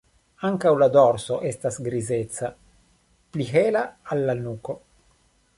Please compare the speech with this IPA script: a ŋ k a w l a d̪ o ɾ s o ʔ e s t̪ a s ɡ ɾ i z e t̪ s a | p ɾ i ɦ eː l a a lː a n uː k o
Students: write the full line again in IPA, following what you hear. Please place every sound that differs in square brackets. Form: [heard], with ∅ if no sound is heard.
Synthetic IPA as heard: a ŋ k a w l a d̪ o ɾ s o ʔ e s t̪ a s ɡ ɾ i z e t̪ s a | p [l] i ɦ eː l a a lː a n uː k o